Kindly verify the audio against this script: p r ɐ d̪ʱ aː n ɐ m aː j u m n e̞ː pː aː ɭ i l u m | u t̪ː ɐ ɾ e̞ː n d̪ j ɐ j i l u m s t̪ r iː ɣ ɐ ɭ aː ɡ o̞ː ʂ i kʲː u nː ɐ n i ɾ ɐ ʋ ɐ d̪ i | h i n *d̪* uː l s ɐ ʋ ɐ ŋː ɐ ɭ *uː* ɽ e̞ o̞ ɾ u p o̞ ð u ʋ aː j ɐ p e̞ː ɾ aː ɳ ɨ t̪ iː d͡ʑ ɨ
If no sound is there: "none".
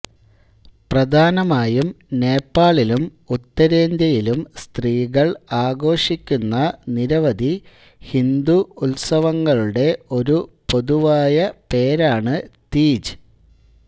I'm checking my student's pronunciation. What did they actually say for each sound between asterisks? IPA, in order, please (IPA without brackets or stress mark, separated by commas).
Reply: d̪, u